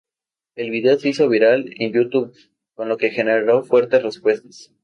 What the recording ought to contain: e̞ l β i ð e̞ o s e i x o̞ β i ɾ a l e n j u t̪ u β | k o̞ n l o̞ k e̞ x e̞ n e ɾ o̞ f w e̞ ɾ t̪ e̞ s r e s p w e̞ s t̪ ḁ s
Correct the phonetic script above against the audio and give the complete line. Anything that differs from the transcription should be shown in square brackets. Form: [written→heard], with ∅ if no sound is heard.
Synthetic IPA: e̞ l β i ð e̞ o s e i [x→s] o̞ β i ɾ a l e n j u t̪ u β | k o̞ n l o̞ k e̞ x e̞ n e ɾ o̞ f w e̞ ɾ t̪ e̞ s r e s p w e̞ s t̪ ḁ s